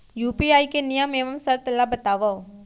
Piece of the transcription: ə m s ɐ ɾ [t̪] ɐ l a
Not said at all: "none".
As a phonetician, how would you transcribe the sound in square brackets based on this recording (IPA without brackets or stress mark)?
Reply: t̪